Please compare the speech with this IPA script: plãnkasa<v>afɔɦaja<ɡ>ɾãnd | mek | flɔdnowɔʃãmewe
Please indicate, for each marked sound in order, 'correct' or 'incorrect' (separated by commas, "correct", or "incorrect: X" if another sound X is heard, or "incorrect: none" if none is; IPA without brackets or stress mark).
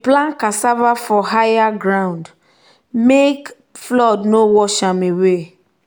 correct, correct